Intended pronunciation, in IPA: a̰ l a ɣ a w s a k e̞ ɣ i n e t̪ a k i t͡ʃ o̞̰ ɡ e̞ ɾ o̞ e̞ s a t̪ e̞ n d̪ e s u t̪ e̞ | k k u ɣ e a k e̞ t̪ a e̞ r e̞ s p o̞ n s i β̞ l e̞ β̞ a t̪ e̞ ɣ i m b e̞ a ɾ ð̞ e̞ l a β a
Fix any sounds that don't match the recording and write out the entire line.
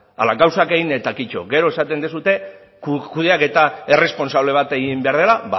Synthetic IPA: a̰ l a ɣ a w s a k e̞ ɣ i n e t̪ a k i t͡ʃ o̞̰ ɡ e̞ ɾ o̞ e̞ s a t̪ e̞ n d̪ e s u t̪ e̞ | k k u ð e a k e̞ t̪ a e̞ r e̞ s p o̞ n s a β̞ l e̞ β̞ a t̪ e̞ ɣ i m b e̞ a ɾ ð̞ e̞ l a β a